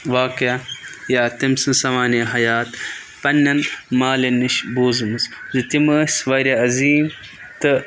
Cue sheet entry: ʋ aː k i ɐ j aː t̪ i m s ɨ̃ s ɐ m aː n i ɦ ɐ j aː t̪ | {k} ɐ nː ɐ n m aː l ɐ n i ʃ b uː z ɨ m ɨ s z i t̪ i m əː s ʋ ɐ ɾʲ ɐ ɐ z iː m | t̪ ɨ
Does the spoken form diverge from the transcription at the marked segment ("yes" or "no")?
yes